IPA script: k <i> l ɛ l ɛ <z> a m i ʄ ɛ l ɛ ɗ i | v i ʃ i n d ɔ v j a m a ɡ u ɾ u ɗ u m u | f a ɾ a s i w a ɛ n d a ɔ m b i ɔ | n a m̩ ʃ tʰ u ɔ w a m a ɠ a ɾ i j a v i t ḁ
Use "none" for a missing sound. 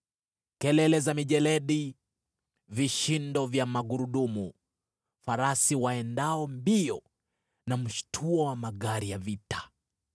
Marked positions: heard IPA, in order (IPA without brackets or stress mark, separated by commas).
ɛ, z